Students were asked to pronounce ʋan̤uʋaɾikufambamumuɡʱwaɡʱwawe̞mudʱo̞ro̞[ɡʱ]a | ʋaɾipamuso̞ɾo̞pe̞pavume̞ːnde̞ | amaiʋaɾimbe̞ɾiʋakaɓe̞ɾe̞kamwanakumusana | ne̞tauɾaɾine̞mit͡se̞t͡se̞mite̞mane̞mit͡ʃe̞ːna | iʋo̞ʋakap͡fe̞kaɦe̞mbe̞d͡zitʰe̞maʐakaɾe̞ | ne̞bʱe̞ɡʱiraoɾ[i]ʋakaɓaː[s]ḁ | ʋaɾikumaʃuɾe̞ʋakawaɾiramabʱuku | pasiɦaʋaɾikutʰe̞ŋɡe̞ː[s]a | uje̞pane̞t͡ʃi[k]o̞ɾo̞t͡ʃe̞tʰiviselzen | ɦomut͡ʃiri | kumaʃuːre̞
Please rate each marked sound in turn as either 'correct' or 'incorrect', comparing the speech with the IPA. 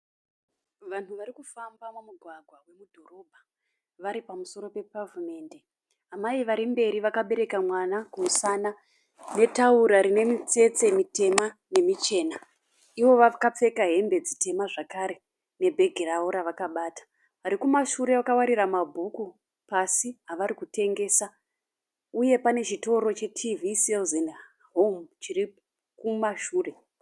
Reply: incorrect: bʱ, incorrect: a, incorrect: t, correct, incorrect: t

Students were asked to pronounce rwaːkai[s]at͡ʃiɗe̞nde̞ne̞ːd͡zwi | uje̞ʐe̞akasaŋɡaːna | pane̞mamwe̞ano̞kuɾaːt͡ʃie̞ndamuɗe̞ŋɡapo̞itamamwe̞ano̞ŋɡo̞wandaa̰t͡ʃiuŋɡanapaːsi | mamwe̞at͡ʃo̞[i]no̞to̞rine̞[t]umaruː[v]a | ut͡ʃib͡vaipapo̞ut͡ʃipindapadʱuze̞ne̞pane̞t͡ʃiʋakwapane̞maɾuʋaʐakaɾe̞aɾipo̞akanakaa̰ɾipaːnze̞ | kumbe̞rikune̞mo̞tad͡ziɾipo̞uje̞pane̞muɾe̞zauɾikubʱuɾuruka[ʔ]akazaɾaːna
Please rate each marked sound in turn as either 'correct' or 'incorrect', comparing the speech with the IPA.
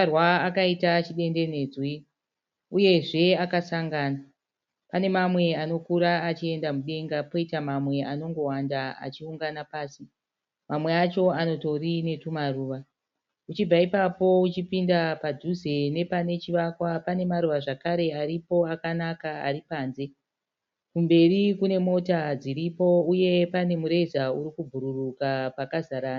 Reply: incorrect: t, incorrect: a, correct, incorrect: ʋ, incorrect: p

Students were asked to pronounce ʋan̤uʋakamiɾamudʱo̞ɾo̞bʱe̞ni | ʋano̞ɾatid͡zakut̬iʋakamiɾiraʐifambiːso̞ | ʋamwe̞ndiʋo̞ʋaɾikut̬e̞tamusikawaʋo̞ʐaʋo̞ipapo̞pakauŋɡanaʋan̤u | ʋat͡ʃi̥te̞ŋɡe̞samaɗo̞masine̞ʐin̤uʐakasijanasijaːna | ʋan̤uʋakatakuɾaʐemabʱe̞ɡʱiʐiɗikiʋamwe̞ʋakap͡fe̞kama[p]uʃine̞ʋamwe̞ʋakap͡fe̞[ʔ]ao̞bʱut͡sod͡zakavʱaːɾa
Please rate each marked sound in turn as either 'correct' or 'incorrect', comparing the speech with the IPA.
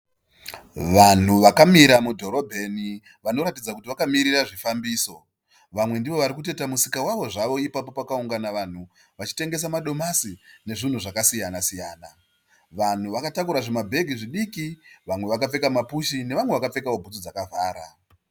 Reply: correct, incorrect: k

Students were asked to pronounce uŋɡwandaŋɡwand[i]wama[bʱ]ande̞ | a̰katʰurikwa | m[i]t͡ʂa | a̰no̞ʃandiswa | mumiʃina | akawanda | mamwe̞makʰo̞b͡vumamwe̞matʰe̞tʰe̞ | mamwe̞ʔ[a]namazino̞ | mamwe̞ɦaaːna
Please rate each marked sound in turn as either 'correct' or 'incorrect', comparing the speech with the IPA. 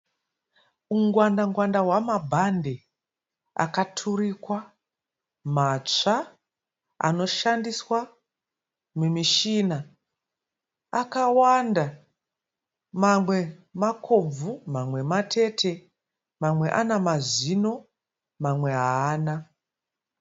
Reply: incorrect: a, correct, incorrect: a, correct

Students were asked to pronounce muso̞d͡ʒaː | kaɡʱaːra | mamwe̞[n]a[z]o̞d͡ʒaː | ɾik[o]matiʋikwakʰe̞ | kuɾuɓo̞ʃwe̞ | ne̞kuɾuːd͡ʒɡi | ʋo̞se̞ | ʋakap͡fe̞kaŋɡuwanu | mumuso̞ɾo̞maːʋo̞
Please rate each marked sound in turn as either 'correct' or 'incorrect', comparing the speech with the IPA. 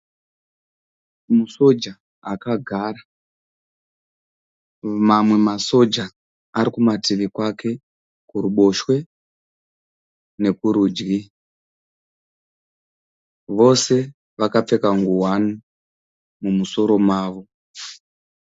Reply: incorrect: m, incorrect: s, incorrect: u

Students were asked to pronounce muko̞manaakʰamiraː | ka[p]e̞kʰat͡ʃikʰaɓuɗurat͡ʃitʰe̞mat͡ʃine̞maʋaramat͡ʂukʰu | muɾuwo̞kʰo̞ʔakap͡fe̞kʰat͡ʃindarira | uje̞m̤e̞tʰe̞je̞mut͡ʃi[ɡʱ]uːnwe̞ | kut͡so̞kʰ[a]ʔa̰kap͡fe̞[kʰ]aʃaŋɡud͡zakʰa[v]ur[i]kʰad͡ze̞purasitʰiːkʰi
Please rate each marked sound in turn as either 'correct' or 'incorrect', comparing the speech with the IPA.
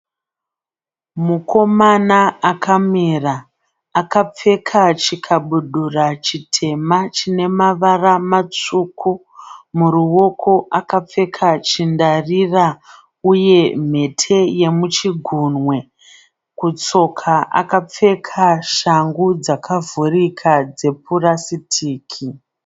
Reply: incorrect: p͡f, correct, correct, correct, correct, correct

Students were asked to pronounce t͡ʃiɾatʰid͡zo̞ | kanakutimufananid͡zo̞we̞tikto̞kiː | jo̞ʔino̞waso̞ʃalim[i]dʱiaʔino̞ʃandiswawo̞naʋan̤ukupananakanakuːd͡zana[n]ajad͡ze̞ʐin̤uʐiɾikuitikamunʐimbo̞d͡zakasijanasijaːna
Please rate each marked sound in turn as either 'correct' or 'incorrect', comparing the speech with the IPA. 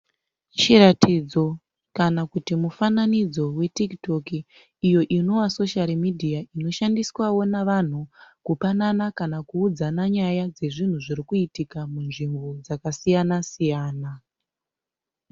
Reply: correct, incorrect: ɲ

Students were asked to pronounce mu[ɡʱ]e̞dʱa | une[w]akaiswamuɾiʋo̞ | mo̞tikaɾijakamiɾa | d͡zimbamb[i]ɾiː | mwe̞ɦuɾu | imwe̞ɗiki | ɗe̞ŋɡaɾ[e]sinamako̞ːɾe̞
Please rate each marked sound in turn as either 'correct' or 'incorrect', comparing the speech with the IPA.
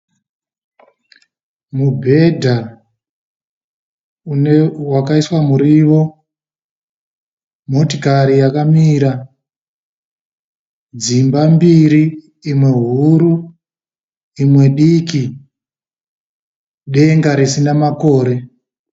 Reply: incorrect: bʱ, correct, correct, incorrect: i

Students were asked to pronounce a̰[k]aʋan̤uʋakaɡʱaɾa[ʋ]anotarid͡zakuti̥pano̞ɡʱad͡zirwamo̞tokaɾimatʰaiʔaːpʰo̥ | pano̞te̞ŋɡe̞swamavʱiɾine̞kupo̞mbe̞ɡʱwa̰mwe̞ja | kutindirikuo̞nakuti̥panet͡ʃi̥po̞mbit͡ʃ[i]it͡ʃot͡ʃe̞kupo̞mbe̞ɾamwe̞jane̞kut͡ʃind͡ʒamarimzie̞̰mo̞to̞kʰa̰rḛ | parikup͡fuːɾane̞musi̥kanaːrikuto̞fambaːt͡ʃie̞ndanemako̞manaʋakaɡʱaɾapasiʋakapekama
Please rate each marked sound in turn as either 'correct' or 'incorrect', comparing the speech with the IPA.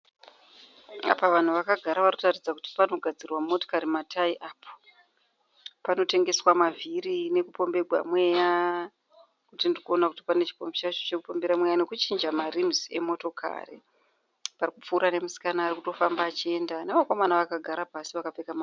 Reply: incorrect: p, correct, incorrect: a

